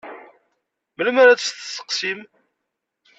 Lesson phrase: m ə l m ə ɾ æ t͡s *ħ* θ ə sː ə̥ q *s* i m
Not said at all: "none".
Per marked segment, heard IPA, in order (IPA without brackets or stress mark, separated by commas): s, s